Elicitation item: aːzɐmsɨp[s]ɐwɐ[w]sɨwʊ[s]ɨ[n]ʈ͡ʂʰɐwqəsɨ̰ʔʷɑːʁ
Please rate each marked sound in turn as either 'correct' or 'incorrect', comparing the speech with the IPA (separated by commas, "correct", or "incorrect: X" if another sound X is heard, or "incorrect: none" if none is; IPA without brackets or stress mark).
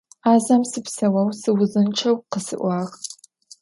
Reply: correct, correct, incorrect: z, correct